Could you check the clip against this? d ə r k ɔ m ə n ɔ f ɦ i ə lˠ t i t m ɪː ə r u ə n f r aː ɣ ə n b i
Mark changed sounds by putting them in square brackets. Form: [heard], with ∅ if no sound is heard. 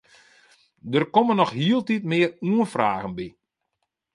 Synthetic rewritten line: d ə r k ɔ m ə n ɔ [x] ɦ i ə lˠ t i t m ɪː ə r u ə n f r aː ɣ ə n b i